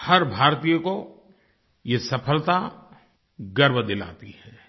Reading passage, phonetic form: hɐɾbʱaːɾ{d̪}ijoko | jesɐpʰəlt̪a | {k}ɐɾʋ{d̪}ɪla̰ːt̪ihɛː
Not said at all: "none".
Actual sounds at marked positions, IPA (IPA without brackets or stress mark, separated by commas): t̪, ɡ, d̪